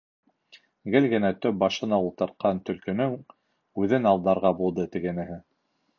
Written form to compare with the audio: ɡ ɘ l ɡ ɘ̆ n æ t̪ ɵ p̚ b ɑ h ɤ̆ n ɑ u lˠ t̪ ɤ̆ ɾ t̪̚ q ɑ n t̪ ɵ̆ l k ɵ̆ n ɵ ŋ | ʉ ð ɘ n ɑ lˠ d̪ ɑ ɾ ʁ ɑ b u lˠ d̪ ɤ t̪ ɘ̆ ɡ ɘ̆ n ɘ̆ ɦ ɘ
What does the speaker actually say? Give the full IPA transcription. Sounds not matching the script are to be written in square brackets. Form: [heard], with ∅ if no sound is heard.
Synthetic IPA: ɡ ɘ l ɡ ɘ̆ n æ t̪ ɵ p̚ b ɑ [ʃ] ɤ̆ n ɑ u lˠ t̪ ɤ̆ ɾ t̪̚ q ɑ n t̪ ɵ̆ l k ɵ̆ n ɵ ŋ | ʉ ð ɘ n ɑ lˠ d̪ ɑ ɾ ʁ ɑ b u lˠ d̪ ɤ t̪ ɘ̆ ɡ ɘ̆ n ɘ̆ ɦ ɘ